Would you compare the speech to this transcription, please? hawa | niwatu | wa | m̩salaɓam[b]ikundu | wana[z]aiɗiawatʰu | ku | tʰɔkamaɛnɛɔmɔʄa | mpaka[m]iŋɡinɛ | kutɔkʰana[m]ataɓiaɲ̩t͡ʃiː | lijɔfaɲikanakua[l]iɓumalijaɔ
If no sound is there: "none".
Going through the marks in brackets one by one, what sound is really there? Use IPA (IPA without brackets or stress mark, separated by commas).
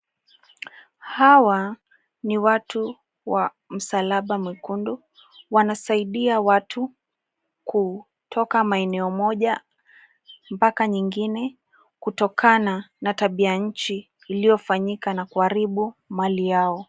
w, s, ɲ, n, ɾ